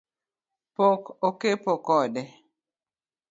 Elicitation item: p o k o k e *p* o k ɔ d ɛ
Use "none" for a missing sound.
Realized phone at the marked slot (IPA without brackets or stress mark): p